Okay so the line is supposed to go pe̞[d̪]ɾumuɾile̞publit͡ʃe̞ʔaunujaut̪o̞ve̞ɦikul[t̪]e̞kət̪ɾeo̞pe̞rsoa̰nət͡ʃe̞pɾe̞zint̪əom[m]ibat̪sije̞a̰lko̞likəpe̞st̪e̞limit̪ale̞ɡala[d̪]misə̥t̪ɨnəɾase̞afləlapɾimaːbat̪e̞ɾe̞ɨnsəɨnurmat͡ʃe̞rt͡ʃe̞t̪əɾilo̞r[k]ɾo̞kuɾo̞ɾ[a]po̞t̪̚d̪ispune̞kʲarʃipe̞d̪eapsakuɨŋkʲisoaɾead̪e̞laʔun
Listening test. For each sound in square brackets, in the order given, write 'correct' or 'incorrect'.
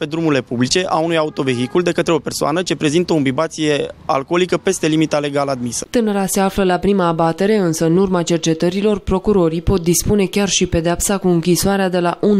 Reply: correct, incorrect, incorrect, correct, incorrect, incorrect

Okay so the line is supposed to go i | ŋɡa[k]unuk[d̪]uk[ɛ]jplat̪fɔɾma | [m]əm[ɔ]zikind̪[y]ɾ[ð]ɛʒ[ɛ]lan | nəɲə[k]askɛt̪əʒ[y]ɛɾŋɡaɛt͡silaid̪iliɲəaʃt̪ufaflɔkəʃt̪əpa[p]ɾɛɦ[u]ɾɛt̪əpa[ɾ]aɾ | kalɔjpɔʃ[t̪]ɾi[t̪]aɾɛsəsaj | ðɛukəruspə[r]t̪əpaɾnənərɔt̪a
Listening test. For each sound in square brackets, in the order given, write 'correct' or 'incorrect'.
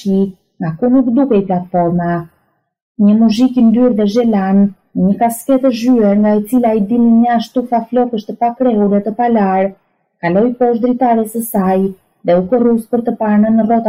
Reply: correct, correct, correct, incorrect, incorrect, correct, correct, correct, correct, correct, incorrect, correct, incorrect, incorrect, correct, incorrect

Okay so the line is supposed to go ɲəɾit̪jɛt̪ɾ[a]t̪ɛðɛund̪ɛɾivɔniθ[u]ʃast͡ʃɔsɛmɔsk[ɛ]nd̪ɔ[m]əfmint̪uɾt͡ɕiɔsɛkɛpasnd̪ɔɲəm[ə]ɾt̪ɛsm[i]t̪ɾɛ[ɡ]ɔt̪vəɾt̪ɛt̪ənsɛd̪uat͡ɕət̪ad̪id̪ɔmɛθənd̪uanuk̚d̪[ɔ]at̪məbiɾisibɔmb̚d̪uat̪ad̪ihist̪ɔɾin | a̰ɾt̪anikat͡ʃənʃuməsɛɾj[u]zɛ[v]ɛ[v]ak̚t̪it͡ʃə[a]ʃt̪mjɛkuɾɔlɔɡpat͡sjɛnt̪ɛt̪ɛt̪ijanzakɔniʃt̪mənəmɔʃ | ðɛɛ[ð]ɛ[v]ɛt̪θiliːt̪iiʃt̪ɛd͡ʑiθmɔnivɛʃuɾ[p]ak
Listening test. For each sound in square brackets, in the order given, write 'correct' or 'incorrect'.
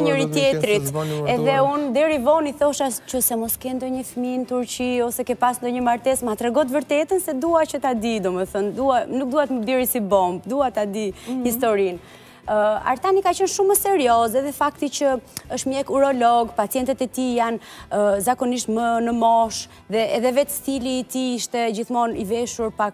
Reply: incorrect, incorrect, correct, incorrect, incorrect, incorrect, correct, incorrect, incorrect, incorrect, incorrect, incorrect, correct, correct, correct

